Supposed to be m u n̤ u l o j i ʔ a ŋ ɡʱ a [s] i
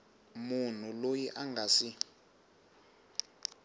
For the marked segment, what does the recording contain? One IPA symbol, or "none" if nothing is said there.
s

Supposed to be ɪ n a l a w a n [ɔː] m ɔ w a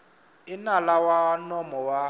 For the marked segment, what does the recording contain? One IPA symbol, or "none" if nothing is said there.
ɔ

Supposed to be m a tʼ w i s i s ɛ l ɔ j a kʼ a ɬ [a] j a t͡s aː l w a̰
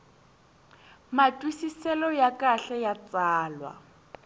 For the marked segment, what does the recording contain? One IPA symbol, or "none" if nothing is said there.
ɛ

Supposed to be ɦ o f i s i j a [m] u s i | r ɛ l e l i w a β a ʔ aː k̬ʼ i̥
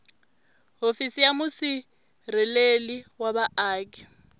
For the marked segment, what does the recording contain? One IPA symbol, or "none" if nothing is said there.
m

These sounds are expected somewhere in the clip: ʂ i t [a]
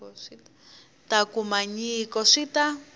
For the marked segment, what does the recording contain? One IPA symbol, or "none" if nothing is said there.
a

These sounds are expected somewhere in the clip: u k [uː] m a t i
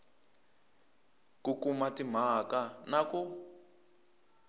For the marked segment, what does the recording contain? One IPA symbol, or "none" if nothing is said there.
u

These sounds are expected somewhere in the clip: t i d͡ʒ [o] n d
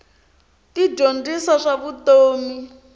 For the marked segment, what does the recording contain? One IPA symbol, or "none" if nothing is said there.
o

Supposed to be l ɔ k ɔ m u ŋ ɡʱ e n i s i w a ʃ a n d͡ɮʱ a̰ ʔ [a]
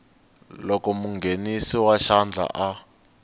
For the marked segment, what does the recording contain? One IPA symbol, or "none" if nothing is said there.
a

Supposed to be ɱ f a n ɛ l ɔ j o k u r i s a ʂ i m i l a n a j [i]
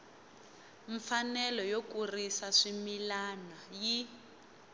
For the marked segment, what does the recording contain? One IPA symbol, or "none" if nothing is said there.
i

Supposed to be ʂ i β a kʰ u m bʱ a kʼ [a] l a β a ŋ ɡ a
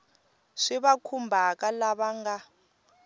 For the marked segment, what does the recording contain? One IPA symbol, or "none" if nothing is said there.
a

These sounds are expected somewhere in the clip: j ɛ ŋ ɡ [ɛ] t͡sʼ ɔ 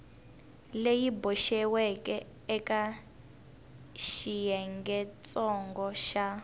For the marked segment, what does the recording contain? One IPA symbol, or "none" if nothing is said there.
ɛ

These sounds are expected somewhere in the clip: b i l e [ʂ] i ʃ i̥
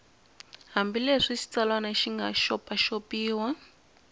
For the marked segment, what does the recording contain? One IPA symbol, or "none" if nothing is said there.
ʂ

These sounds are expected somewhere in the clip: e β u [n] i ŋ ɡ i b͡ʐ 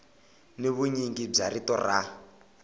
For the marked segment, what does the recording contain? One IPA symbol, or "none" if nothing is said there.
ɲ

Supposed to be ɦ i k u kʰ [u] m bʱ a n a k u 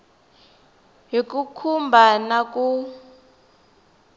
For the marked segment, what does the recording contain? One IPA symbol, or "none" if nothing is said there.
u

